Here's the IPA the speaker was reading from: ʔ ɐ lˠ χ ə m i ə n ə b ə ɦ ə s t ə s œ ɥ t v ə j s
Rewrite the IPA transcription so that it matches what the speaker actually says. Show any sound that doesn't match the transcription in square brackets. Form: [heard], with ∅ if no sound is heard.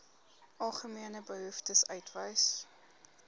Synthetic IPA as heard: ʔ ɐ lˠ χ ə m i ə n ə b ə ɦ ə [f] t ə s œ ɥ t v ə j s